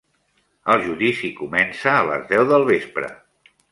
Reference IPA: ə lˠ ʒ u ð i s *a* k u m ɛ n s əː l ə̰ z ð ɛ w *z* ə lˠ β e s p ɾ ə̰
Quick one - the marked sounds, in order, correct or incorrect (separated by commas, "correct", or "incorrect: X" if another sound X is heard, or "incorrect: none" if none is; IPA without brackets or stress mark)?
incorrect: i, incorrect: ð